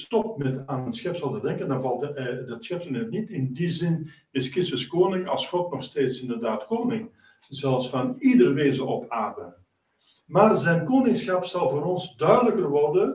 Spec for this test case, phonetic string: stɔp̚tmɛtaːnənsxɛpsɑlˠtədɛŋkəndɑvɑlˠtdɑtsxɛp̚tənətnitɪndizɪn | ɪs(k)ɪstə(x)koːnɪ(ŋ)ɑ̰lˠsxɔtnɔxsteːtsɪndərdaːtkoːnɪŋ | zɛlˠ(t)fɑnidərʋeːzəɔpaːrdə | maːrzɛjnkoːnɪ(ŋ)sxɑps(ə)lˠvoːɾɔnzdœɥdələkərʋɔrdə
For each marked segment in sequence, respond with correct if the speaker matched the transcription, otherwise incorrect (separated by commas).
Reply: correct, incorrect, correct, incorrect, correct, incorrect